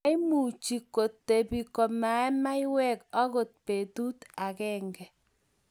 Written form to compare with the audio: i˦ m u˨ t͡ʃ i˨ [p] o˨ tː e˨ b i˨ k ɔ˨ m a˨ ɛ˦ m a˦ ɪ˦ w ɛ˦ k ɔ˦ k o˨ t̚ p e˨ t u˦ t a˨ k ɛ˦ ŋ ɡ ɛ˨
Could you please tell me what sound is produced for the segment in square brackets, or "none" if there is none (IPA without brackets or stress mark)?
k